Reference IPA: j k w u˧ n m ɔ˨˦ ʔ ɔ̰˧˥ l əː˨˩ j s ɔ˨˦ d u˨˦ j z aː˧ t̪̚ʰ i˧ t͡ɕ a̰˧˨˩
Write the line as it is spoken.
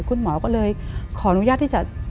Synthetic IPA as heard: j k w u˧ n m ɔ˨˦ k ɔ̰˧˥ l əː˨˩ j x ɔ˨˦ n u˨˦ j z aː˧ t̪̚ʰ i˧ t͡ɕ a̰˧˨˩